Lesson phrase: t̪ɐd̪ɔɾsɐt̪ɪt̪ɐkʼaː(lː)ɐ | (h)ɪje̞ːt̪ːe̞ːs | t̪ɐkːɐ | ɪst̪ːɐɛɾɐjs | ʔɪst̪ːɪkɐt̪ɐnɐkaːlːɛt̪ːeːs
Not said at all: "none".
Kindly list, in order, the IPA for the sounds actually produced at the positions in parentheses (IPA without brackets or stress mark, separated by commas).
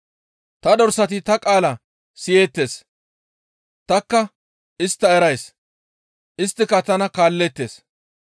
l, s